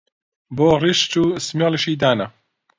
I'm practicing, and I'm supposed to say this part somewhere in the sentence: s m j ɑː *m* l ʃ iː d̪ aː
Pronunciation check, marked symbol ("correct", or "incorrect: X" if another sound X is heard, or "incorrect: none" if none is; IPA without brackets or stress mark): incorrect: none